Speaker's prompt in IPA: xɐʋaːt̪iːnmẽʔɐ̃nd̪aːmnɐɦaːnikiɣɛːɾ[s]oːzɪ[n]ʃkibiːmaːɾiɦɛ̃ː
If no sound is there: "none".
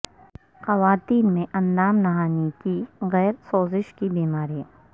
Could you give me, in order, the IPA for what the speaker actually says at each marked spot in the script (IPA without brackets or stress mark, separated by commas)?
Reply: s, none